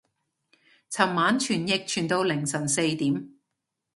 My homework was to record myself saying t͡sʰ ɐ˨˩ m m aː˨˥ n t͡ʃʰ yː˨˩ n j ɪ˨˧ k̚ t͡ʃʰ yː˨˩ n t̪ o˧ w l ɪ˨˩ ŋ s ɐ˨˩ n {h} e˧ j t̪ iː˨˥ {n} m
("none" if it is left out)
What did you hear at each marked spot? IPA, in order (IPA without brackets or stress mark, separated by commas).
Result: s, none